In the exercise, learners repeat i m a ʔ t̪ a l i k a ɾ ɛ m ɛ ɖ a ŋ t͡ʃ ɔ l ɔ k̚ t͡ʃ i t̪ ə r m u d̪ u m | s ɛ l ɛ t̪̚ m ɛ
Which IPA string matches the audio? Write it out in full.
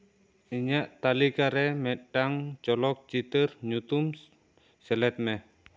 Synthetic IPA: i ɲ a ʔ t̪ a l i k a ɾ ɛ m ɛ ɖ a ŋ t͡ʃ ɔ l ɔ k̚ t͡ʃ i t̪ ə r ɲ u t̪ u m | s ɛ l ɛ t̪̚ m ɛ